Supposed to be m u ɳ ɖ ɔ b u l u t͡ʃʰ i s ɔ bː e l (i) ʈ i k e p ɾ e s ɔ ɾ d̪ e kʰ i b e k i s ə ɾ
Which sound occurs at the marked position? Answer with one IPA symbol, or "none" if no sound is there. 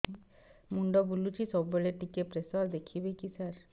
e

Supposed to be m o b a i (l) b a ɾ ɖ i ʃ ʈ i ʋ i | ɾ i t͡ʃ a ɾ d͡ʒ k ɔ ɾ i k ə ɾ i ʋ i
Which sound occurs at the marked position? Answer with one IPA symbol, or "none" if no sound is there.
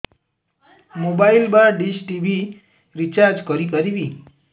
l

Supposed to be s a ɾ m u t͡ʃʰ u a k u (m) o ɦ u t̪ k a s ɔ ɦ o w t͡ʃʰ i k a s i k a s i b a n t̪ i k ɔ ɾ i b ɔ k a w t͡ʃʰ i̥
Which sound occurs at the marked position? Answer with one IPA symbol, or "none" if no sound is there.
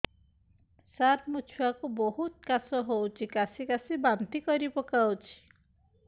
b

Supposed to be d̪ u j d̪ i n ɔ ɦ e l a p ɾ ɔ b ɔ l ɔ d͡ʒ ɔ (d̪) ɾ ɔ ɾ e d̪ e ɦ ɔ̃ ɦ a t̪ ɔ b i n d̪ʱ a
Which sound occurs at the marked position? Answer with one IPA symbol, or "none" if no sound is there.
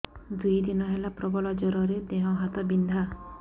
none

